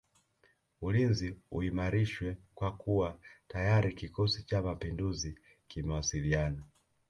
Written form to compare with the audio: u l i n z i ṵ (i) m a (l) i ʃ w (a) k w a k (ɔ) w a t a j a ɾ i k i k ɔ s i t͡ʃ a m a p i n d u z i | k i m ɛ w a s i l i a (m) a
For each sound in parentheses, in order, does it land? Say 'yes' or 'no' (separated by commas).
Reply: yes, no, no, no, no